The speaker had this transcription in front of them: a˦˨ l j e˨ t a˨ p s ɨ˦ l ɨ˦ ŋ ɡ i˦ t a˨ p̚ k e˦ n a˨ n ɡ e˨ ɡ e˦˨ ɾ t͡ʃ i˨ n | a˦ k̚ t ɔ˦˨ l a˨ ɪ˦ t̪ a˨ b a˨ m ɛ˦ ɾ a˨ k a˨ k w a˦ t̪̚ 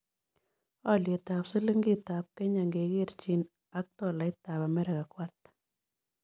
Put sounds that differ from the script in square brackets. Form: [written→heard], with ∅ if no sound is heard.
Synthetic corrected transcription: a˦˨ l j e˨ t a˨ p s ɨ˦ l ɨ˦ ŋ ɡ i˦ t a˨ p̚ k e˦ [n→ɲ] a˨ [n→ŋ] ɡ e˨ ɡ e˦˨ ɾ t͡ʃ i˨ n | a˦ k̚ t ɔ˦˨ l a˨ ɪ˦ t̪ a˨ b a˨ m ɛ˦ ɾ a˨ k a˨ k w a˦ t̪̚